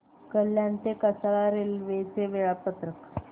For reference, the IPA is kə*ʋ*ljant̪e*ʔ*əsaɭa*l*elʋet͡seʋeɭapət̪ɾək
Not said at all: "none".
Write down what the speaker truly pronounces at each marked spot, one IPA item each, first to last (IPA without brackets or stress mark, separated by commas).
none, k, ɾ